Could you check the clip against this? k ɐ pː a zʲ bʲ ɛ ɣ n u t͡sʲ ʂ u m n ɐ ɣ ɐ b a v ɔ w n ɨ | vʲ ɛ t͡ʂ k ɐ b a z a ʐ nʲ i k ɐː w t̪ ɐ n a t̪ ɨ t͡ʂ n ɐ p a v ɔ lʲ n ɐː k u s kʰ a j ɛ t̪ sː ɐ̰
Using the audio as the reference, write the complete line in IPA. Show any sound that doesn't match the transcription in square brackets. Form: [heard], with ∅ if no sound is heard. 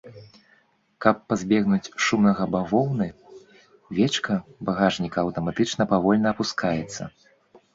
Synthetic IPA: k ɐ pː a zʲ bʲ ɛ ɣ n u t͡sʲ ʂ u m n ɐ ɣ ɐ b a v ɔ w n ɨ | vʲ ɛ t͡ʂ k ɐ b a [ɣ] a ʐ nʲ i k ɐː w t̪ ɐ [m] a t̪ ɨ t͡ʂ n ɐ p a v ɔ lʲ n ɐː [p] u s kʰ a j ɛ t̪ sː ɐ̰